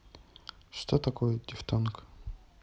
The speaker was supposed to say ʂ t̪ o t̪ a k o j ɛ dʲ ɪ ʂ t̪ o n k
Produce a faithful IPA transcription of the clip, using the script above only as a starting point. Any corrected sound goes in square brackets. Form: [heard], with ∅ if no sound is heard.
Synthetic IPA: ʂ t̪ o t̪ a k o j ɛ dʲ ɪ [f] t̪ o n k